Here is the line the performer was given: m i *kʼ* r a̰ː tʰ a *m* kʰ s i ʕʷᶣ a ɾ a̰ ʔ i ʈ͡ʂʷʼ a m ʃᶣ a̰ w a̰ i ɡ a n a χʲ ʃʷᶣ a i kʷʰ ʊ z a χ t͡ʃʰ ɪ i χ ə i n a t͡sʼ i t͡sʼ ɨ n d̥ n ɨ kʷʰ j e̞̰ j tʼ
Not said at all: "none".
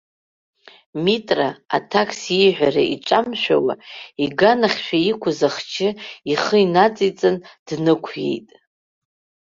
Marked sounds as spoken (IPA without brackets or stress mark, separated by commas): tʼ, none